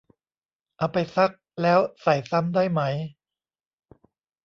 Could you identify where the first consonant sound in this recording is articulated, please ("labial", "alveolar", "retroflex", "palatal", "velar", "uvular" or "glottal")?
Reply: glottal